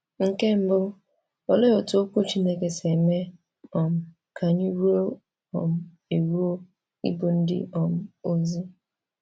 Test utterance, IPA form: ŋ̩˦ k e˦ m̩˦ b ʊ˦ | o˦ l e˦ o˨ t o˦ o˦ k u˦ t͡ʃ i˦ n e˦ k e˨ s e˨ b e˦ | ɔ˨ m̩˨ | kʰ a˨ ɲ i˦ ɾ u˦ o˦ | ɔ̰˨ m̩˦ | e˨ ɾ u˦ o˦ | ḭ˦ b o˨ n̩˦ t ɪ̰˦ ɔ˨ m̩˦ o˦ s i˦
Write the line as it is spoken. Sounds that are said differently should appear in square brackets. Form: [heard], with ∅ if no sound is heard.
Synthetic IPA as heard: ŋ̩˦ k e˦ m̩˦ b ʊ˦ | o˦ l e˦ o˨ t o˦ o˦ k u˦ t͡ʃ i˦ n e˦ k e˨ s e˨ [m] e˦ | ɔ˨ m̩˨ | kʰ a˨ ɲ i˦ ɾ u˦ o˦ | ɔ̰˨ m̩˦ | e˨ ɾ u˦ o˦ | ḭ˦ b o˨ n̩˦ [d] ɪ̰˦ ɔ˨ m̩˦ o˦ [z] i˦

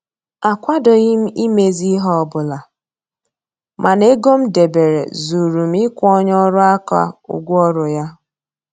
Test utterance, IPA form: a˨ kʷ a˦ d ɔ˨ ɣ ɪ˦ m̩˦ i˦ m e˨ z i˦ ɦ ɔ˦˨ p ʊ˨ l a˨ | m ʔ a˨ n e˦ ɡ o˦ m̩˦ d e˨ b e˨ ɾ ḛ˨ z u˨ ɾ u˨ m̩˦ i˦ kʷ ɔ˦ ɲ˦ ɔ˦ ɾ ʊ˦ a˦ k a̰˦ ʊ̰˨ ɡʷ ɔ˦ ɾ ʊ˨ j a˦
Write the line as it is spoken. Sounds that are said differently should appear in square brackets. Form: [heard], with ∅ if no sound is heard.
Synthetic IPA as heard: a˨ kʷ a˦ d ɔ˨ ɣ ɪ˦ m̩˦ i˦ m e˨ z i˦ ɦ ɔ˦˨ [b] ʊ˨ l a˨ | m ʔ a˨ n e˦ ɡ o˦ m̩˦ d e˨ b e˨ ɾ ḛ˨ z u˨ ɾ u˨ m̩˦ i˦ kʷ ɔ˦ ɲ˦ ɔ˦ ɾ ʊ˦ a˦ k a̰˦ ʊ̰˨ ɡʷ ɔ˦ ɾ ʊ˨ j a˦

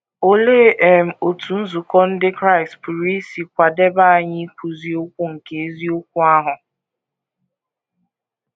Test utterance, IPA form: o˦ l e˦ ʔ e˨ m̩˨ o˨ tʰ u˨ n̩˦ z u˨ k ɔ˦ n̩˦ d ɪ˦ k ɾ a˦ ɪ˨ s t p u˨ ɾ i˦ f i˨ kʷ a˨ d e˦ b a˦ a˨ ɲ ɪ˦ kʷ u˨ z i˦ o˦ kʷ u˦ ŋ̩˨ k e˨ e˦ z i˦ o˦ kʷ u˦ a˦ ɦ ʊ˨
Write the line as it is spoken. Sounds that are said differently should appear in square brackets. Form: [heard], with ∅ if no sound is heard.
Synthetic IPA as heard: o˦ l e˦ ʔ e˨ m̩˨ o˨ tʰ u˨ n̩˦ z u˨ k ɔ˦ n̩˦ d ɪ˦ k ɾ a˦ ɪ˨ s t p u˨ ɾ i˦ [s] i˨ kʷ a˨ d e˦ b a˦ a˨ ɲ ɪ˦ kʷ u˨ z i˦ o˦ kʷ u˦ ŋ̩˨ k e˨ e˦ z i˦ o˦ kʷ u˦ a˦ ɦ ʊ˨

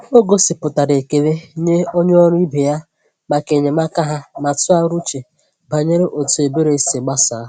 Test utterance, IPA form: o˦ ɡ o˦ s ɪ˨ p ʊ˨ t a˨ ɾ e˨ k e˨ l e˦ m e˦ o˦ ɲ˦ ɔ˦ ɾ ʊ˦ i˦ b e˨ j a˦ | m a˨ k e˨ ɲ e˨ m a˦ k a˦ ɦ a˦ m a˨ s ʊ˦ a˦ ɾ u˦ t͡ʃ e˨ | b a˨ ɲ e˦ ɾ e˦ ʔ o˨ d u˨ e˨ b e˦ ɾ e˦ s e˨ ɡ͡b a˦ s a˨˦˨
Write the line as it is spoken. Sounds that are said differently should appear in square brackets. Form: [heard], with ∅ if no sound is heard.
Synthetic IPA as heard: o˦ ɡ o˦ s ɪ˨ p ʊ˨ t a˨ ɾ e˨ k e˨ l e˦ [ɲ] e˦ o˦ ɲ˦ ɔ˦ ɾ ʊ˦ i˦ b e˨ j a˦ | m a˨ k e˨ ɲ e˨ m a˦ k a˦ ɦ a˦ m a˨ [t] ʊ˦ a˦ ɾ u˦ t͡ʃ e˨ | b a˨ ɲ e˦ ɾ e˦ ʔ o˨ [t] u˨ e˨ b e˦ ɾ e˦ s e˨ ɡ͡b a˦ s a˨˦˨

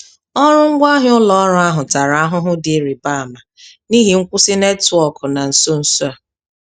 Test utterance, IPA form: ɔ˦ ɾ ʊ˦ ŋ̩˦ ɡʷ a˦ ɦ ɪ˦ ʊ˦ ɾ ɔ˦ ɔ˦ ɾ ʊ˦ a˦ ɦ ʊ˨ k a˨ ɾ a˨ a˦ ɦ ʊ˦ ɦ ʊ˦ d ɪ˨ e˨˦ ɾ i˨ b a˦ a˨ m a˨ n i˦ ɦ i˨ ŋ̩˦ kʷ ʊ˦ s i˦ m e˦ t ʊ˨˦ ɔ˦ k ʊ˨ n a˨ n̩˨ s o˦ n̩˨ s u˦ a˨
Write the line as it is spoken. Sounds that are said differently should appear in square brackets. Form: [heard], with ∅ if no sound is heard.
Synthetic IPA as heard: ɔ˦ ɾ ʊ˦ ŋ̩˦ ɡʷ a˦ ɦ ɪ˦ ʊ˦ [l] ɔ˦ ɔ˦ ɾ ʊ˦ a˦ ɦ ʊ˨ [t] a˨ ɾ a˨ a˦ ɦ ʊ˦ ɦ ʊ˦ d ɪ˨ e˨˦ ɾ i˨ b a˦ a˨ m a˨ n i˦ ɦ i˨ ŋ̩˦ kʷ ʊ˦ s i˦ [n] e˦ t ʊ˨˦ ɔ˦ k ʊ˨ n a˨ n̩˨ s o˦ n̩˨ s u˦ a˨

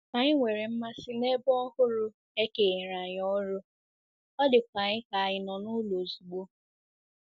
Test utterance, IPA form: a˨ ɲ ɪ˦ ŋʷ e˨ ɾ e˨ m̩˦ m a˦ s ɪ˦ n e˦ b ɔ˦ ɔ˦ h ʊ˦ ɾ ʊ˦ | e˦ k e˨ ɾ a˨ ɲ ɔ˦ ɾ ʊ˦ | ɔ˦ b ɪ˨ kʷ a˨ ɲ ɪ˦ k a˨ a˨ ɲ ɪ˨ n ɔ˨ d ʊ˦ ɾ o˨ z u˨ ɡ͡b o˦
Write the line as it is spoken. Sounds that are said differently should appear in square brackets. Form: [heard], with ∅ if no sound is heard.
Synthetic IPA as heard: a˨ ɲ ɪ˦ ŋʷ e˨ ɾ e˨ m̩˦ m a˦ s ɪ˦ n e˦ b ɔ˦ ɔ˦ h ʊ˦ ɾ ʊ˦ | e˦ k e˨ ɾ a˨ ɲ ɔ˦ ɾ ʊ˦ | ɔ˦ [d] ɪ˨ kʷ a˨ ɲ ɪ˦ k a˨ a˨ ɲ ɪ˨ n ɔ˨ [n] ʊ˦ [l] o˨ z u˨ ɡ͡b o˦

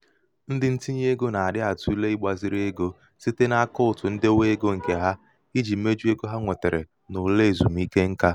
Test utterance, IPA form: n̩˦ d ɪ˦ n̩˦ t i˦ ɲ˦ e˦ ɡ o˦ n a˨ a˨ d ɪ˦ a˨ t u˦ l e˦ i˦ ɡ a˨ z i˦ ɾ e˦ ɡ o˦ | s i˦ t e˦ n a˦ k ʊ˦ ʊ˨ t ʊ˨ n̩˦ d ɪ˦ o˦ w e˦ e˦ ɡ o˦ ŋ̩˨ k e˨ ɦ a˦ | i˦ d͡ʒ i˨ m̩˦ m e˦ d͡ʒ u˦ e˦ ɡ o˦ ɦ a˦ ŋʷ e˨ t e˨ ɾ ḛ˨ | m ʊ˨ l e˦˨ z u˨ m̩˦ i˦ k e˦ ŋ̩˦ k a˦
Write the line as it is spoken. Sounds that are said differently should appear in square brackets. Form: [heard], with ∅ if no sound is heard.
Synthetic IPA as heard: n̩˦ d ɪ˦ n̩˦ t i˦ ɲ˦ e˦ ɡ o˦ n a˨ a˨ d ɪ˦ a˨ t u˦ l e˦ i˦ [ɡ͡b] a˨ z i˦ ɾ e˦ ɡ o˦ | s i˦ t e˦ n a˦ k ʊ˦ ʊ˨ t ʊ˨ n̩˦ d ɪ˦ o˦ w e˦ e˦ ɡ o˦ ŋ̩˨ k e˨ ɦ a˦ | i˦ d͡ʒ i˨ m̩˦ m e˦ d͡ʒ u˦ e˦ ɡ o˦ ɦ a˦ ŋʷ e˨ t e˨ ɾ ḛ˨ | [n] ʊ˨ l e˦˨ z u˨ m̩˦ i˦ k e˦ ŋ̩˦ k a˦

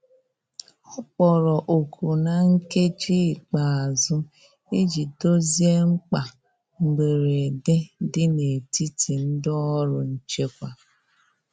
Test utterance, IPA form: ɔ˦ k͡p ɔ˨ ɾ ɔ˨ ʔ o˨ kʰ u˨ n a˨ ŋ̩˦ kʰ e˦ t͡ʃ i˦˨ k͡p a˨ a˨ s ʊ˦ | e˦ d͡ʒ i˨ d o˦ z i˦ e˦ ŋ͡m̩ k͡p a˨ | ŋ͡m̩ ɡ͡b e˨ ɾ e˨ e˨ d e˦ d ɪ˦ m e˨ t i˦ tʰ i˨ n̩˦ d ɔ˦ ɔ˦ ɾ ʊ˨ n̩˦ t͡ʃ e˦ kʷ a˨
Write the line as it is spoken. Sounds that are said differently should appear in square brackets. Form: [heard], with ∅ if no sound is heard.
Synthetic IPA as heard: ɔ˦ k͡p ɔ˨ ɾ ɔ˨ ʔ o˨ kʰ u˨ n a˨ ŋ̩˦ [k] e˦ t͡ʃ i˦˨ k͡p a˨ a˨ [z] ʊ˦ | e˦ d͡ʒ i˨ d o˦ z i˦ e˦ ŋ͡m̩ k͡p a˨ | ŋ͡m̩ ɡ͡b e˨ ɾ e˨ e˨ d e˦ d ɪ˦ [n] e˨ t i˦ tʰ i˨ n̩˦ d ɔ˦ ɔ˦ ɾ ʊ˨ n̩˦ t͡ʃ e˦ kʷ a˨

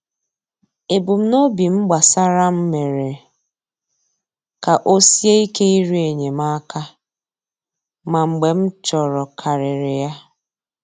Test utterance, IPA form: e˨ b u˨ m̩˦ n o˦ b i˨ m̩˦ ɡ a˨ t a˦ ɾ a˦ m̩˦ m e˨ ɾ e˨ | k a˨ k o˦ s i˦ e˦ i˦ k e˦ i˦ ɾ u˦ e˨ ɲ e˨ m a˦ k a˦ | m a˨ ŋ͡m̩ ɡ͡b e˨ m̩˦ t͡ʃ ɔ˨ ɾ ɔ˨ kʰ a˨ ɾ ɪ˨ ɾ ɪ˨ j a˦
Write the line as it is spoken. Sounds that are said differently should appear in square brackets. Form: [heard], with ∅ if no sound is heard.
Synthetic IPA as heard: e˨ b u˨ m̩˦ n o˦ b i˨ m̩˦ [ɡ͡b] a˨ [s] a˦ ɾ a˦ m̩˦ m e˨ ɾ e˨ | k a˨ [ʔ] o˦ s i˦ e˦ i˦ k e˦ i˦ ɾ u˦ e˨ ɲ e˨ m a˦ k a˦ | m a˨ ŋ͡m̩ ɡ͡b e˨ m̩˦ t͡ʃ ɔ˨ ɾ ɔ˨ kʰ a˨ ɾ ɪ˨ ɾ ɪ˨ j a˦

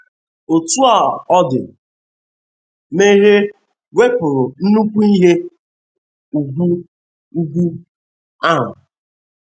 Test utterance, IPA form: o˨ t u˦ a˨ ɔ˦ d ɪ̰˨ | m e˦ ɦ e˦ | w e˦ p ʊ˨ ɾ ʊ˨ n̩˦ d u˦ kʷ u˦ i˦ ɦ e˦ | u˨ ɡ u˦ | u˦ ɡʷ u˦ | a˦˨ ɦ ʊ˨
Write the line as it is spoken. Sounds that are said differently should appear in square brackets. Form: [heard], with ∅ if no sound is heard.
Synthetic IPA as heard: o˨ t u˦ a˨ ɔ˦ d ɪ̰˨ | m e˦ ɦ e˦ | w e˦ p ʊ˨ ɾ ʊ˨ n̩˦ [n] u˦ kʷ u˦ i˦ ɦ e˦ | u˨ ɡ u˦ | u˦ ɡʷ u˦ | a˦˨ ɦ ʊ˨

